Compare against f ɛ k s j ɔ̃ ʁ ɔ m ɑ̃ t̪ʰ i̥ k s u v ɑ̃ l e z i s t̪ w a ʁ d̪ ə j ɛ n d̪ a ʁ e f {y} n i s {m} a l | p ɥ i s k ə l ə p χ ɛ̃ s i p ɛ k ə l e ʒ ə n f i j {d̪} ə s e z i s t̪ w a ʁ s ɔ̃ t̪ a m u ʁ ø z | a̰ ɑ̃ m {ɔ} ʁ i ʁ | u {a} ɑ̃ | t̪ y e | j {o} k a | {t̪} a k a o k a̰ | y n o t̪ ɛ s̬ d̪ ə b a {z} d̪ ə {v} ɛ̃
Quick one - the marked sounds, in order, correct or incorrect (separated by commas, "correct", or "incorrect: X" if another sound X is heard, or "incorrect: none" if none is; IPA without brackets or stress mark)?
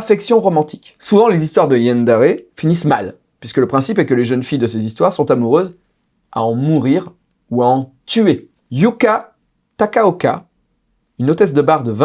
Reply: incorrect: i, correct, correct, incorrect: u, correct, incorrect: u, correct, incorrect: ʁ, correct